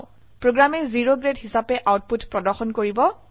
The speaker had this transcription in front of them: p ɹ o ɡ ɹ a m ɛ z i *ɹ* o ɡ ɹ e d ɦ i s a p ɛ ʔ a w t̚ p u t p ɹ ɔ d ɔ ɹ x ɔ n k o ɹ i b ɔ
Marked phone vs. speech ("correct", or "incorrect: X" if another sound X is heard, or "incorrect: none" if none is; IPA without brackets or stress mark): correct